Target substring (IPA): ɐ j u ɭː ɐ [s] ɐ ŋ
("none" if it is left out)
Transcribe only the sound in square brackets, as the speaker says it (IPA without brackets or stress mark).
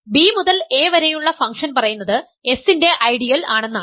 f